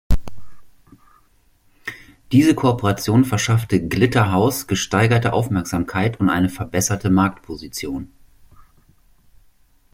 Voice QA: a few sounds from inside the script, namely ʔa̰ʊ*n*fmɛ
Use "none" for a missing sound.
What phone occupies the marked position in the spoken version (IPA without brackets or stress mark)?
none